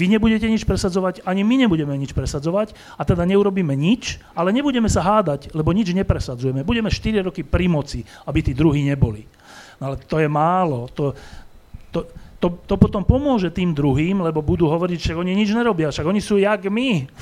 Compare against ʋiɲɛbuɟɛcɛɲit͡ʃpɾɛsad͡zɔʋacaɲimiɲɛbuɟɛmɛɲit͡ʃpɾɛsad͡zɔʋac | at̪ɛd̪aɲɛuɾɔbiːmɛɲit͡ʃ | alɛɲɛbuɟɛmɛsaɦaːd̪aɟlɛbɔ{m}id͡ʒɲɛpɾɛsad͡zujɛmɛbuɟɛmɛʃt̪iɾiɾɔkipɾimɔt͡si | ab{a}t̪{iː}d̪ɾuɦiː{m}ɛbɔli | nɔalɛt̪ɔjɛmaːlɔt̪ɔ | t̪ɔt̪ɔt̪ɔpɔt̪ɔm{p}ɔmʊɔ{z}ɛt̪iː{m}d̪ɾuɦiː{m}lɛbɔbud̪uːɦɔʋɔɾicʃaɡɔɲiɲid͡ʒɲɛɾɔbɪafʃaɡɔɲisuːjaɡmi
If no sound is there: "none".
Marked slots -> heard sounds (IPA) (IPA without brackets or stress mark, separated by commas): ɲ, i, iː, ɲ, p, ʒ, m, m